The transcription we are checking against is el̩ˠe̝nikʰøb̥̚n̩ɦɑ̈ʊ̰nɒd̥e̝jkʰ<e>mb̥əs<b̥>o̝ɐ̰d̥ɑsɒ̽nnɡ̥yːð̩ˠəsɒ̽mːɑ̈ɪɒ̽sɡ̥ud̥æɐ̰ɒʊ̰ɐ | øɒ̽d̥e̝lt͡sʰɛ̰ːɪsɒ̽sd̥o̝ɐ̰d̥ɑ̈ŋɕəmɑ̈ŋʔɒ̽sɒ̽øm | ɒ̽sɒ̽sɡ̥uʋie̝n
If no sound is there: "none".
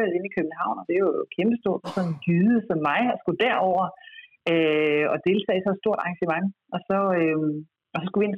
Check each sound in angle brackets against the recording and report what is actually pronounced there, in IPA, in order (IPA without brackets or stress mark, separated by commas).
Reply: e, d̥